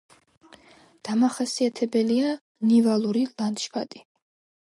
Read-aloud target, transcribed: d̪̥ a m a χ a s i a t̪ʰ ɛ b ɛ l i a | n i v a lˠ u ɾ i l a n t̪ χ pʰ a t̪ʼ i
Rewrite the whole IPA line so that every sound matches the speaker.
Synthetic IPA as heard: d̪̥ a m a χ a s i a t̪ʰ ɛ b ɛ l i a | n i v a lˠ u ɾ i l a n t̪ ʃ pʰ a t̪ʼ i